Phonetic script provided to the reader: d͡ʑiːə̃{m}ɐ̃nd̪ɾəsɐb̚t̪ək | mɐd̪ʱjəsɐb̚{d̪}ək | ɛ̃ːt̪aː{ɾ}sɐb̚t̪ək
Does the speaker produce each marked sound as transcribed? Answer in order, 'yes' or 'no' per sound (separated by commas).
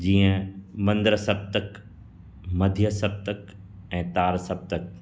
yes, no, yes